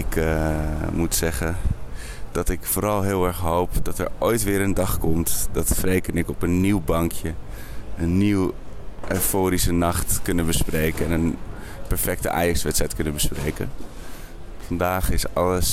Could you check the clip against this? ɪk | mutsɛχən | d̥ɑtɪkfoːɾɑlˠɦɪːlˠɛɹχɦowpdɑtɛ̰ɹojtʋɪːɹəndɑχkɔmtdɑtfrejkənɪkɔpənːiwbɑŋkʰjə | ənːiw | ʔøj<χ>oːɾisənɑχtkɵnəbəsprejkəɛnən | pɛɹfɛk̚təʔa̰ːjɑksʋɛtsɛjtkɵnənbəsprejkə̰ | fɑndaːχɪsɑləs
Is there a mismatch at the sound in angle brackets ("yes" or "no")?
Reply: yes